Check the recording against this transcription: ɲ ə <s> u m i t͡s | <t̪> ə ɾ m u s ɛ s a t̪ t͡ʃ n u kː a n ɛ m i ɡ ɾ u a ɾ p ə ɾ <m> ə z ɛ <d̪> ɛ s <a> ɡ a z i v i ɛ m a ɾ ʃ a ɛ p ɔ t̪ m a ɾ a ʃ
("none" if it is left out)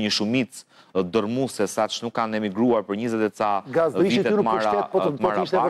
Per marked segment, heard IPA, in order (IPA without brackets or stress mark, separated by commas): ʃ, d̪, ɲ, t̪, a